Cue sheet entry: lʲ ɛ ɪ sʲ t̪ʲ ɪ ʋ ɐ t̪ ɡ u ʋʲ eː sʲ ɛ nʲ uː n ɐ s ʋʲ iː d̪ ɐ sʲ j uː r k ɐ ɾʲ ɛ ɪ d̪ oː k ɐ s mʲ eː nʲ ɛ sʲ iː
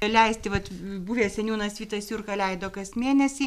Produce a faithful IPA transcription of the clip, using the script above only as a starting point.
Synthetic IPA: lʲ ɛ ɪ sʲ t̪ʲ ɪ ʋ ɐ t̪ b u ʋʲ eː sʲ ɛ nʲ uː n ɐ s ʋʲ iː t̪ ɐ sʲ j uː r k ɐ lʲ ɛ ɪ d̪ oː k ɐ s mʲ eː nʲ ɛ sʲ iː